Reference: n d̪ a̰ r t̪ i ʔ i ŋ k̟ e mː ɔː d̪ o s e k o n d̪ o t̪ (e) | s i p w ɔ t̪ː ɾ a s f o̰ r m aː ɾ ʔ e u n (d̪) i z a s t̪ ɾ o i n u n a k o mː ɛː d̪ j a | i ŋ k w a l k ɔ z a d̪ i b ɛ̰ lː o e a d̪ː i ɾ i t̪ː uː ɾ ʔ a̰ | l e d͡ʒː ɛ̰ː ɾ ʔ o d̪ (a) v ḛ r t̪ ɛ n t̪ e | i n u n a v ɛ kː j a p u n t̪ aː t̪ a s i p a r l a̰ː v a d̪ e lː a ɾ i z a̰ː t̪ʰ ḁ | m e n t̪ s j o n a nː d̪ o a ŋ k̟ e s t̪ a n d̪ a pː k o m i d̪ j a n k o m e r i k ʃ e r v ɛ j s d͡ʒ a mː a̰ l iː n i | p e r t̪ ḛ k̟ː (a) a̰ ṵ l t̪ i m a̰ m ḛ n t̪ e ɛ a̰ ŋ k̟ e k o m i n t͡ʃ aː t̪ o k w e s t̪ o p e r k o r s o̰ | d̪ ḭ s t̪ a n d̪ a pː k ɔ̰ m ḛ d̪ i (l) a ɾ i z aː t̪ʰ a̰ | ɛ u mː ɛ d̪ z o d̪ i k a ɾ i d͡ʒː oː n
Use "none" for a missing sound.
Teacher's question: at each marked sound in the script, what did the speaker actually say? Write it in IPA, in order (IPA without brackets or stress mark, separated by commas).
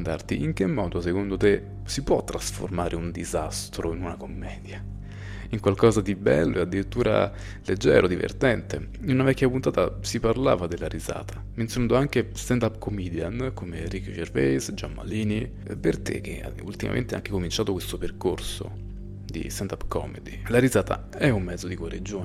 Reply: e, d̪, i, e, l